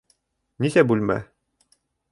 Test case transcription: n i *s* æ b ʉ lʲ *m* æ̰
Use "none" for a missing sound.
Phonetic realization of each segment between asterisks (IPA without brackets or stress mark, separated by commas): s, m